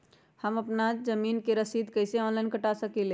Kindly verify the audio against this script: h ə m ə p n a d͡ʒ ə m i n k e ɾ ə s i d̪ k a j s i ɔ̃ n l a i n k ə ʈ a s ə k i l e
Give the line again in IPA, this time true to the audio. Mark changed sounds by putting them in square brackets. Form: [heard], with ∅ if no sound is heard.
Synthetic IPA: h ə m ə p n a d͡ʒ ə m i n k e ɾ ə s i d̪ k [ə] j s [e] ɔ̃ n l a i n k ə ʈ a s ə k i l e